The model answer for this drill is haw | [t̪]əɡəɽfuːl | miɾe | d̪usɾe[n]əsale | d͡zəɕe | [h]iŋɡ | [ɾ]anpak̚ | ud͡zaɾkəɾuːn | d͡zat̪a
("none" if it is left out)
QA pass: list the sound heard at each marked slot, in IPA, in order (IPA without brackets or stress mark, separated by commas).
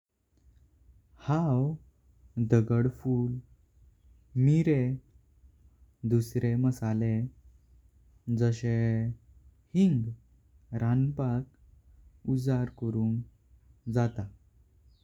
d̪, m, h, ɾ